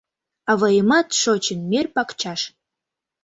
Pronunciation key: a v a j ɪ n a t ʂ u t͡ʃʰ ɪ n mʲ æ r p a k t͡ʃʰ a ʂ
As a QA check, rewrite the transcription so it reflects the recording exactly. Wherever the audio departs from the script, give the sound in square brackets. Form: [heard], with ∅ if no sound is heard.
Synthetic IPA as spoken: a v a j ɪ [m] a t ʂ [o] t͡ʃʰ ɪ n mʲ [e] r p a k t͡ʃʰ a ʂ

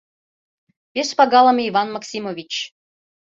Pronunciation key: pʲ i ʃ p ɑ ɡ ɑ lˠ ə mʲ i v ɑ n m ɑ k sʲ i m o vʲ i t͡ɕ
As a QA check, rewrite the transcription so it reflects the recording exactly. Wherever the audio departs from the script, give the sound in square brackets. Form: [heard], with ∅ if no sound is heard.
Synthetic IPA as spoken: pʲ [e] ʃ p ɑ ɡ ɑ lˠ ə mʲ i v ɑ n m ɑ k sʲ i m o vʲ i t͡ɕ

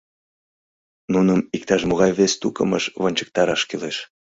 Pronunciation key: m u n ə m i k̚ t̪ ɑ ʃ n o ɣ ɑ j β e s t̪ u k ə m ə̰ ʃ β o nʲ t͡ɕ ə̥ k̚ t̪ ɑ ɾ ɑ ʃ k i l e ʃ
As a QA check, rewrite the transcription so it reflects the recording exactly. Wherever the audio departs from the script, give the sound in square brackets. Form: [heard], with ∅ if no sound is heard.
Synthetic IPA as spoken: [n] u n ə m i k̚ t̪ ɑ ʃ [m] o ɣ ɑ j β e s t̪ u k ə m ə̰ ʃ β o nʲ t͡ɕ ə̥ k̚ t̪ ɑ ɾ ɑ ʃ k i l e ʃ

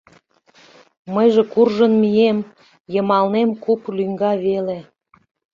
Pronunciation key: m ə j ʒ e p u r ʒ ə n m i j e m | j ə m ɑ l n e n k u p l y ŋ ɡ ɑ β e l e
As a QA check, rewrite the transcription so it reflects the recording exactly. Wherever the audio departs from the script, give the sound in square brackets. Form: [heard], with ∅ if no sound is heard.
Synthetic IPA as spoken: m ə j ʒ e [k] u r ʒ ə n m i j e m | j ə m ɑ l n e [m] k u p l y ŋ ɡ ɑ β e l e

